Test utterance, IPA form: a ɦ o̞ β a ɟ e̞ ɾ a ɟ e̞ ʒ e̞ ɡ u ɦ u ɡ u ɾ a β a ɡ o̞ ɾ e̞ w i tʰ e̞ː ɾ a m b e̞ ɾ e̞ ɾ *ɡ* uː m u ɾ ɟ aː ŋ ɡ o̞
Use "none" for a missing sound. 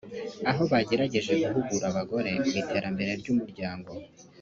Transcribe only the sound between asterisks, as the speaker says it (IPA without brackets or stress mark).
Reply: ɟ